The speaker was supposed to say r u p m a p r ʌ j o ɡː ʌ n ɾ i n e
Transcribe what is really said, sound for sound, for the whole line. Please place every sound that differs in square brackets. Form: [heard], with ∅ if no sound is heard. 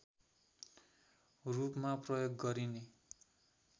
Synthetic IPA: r u p m a p r ʌ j o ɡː ʌ [∅] ɾ i n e